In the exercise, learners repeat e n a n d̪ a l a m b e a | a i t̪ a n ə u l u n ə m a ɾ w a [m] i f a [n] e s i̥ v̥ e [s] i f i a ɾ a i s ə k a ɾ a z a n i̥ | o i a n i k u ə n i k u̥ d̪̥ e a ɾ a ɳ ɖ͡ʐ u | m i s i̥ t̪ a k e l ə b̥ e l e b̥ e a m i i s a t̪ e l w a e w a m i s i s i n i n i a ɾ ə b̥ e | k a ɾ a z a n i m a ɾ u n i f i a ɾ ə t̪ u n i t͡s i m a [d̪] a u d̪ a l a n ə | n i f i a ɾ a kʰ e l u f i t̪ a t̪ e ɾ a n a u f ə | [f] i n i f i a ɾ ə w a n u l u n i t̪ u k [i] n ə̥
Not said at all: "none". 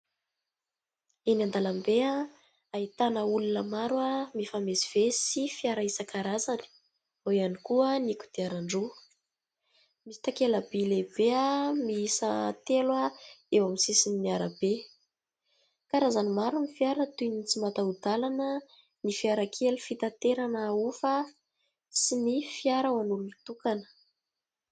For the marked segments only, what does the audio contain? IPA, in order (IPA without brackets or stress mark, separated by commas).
m, m, s, t̪, s, a